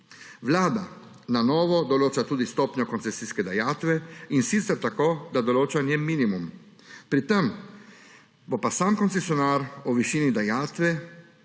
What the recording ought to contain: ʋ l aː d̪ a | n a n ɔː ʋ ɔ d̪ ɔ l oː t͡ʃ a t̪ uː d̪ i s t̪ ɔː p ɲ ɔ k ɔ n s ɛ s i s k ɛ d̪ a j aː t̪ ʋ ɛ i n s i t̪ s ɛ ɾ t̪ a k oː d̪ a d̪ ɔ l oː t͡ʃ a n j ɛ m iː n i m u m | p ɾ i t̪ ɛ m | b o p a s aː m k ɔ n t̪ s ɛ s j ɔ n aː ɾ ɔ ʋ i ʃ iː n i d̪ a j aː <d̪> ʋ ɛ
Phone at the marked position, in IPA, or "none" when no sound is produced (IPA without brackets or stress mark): t̪